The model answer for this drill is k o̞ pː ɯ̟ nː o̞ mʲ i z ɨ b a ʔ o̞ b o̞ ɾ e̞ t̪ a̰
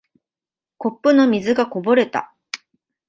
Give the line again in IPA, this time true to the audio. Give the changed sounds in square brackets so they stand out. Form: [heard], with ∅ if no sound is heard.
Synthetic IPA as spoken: k o̞ pː ɯ̟ [n] o̞ mʲ i z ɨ [ɡ] a [k] o̞ b o̞ ɾ e̞ t̪ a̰

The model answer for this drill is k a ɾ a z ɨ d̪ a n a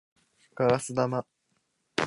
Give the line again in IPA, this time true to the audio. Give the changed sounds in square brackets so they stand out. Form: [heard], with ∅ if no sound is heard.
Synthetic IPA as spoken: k a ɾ a [s] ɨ d̪ a [m] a

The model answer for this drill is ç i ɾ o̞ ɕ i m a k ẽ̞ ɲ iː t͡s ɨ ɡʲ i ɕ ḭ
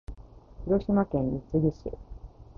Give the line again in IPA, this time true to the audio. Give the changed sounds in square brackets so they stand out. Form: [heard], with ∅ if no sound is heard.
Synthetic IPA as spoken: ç i ɾ o̞ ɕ i m a k ẽ̞ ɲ [i] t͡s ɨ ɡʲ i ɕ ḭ

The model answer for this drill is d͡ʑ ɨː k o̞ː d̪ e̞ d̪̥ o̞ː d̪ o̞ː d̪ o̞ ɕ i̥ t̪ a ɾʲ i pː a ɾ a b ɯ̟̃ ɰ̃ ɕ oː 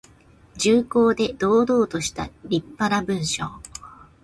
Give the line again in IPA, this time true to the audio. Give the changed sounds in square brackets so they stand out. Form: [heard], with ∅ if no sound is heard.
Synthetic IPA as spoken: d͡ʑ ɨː k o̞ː d̪ e̞ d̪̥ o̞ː d̪ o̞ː [t̪] o̞ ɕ i̥ t̪ a ɾʲ i pː a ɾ a b ɯ̟̃ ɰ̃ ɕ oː

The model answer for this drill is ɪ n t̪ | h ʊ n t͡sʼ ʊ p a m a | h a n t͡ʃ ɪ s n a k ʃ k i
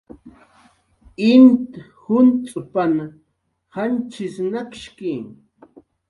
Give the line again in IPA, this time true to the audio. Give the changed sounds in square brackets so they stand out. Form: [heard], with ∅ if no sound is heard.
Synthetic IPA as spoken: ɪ n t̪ | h ʊ n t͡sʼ ʊ p a [n] a | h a n t͡ʃ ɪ s n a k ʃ k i

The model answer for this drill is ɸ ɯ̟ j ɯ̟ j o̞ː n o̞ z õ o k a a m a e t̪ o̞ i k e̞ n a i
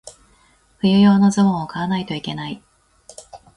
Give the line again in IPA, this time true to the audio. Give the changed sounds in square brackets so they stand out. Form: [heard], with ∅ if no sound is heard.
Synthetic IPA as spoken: ɸ ɯ̟ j ɯ̟ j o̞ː n o̞ z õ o k a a [n] a [i] t̪ o̞ i k e̞ n a i

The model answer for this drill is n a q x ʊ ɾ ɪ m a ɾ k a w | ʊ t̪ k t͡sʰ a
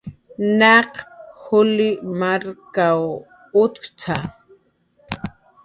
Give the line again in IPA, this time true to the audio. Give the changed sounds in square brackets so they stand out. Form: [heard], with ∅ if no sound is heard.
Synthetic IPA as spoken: n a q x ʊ [l] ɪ m a ɾ k a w | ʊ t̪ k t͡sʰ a

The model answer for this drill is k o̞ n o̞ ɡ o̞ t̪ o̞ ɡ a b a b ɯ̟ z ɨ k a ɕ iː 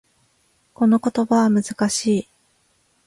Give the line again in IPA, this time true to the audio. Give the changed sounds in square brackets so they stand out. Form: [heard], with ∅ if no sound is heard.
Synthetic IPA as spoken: k o̞ n o̞ [k] o̞ t̪ o̞ [b] a [β] a [m] ɯ̟ z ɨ k a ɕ iː

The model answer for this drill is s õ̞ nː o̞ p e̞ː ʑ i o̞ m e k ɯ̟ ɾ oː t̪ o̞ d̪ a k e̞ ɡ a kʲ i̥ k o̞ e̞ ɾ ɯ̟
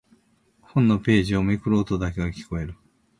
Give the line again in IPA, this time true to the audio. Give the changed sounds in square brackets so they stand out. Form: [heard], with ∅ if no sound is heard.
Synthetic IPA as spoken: [h] õ̞ nː o̞ p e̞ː ʑ i o̞ m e k ɯ̟ ɾ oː t̪ o̞ d̪ a k e̞ ɡ a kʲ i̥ k o̞ e̞ ɾ ɯ̟

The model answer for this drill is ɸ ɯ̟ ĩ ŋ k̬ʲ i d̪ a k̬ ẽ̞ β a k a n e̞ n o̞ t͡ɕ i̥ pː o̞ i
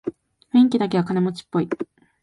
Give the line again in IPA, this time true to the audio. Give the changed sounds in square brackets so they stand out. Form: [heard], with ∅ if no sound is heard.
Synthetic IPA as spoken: ɸ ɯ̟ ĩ ŋ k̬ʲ i d̪ a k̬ [e̞] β a k a n e̞ [m] o̞ t͡ɕ i̥ pː o̞ i

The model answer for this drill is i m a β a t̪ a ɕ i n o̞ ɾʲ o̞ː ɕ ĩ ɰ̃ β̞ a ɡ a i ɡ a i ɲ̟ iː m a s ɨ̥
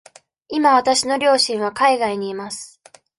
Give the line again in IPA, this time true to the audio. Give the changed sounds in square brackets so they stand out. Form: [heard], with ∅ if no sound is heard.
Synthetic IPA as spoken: i m a β a t̪ a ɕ i n o̞ ɾʲ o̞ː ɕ ĩ ɰ̃ β̞ a [k] a i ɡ a i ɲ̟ iː m a s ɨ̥

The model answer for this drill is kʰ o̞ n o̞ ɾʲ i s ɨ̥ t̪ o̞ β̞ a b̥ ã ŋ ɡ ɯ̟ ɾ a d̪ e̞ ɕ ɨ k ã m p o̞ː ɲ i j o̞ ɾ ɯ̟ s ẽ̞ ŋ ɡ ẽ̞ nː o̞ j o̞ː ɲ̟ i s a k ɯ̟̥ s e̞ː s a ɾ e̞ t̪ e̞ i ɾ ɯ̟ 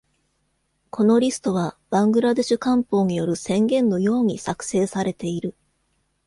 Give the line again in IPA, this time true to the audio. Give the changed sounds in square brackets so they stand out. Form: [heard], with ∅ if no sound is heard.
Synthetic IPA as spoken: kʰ o̞ n o̞ ɾʲ i s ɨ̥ t̪ o̞ β̞ a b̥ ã ŋ ɡ ɯ̟ ɾ a d̪ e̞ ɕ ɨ k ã m p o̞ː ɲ i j o̞ ɾ ɯ̟ s ẽ̞ ŋ ɡ ẽ̞ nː o̞ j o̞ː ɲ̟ i s a k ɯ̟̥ s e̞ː s a ɾ e̞ t̪ e̞ i ɾ ɯ̟

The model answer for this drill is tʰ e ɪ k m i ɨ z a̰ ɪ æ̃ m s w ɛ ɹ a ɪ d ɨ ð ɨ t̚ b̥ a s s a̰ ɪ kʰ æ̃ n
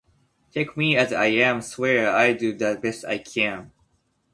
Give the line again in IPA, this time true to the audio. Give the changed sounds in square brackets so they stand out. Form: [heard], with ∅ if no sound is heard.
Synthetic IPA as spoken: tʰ e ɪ k m i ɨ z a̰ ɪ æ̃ m s w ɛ ɹ a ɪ d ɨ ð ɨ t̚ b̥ [ɛ] s [t] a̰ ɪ kʰ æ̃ n

